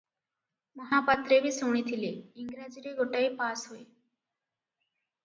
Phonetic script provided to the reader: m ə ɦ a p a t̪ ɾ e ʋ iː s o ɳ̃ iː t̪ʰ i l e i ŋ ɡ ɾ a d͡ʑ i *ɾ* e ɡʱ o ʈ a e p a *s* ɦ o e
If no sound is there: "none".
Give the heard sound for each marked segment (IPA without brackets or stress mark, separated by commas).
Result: ɾ, s